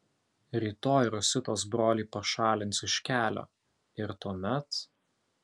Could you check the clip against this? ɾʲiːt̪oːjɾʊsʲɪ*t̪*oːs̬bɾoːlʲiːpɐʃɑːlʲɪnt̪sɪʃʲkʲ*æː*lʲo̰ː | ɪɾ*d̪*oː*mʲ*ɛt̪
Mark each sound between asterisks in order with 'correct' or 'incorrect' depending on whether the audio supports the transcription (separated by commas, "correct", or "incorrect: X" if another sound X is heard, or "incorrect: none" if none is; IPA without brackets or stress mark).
correct, correct, incorrect: t̪, correct